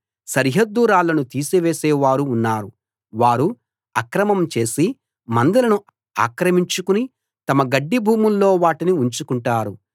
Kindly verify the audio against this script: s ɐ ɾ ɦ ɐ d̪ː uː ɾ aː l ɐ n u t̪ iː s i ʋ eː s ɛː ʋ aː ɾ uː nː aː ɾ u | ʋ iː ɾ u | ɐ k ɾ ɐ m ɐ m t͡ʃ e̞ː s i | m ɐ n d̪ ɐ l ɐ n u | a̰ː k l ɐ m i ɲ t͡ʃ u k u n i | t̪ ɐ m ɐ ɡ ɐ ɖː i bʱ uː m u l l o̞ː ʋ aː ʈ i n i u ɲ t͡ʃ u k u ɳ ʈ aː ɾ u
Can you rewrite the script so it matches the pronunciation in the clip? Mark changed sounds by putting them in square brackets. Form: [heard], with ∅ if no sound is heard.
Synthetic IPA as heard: s ɐ ɾ ɦ ɐ d̪ː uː ɾ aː l ɐ n u t̪ iː s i ʋ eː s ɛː ʋ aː ɾ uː nː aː ɾ u | ʋ [aː] ɾ u | ɐ k ɾ ɐ m ɐ m t͡ʃ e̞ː s i | m ɐ n d̪ ɐ l ɐ n u | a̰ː k [ɾ] ɐ m i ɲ t͡ʃ u k u n i | t̪ ɐ m ɐ ɡ ɐ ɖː i bʱ uː m u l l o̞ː ʋ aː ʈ i n i u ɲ t͡ʃ u k u ɳ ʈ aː ɾ u